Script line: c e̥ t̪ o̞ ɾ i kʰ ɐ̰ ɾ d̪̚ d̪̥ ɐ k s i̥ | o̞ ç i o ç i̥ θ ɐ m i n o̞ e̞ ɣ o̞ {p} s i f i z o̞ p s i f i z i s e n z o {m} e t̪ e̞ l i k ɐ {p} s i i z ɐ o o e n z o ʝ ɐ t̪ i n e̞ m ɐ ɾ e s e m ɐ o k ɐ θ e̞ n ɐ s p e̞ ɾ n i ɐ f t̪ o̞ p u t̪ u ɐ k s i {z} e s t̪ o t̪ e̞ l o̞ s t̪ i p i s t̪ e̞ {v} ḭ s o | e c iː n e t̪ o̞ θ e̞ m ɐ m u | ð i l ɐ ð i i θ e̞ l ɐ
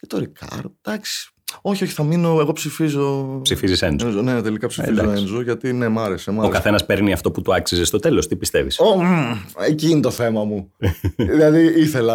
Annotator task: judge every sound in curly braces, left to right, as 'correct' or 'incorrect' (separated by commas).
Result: correct, incorrect, correct, correct, correct